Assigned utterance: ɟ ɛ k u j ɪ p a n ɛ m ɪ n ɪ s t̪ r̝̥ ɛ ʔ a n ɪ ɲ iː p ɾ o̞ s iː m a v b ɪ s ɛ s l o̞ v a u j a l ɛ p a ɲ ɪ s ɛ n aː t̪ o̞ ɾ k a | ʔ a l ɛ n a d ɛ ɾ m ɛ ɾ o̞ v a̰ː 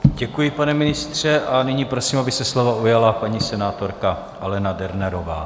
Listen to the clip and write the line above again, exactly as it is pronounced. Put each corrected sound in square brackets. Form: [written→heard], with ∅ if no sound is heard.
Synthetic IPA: ɟ ɛ k u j ɪ p a n ɛ m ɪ n ɪ s t̪ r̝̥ ɛ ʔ a n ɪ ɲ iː p ɾ o̞ s iː m a [v→∅] b ɪ s ɛ s l o̞ v a u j a l [ɛ→a] p a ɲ [ɪ→i] s ɛ n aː t̪ o̞ ɾ k a | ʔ a l ɛ n a d ɛ ɾ [m→n] ɛ ɾ o̞ v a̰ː